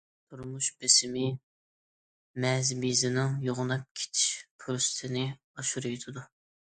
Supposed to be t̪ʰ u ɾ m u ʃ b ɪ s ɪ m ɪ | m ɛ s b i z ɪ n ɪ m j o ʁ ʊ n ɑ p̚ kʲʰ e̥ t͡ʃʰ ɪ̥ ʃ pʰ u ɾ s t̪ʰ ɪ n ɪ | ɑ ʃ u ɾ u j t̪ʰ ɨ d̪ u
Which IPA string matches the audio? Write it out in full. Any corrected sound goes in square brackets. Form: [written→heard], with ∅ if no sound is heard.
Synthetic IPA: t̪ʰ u ɾ m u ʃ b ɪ s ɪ m ɪ | m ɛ [s→z] b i z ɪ n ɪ [m→ŋ] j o ʁ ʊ n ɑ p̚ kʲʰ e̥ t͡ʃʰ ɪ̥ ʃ pʰ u ɾ s t̪ʰ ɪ n ɪ | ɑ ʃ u ɾ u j t̪ʰ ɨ d̪ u